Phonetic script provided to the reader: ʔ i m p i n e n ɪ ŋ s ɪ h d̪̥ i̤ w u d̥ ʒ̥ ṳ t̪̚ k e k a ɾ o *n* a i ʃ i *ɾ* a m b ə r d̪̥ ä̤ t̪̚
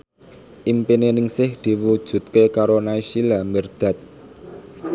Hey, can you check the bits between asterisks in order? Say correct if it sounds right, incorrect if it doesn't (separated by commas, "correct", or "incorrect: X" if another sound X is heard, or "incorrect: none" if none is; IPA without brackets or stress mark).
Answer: correct, incorrect: l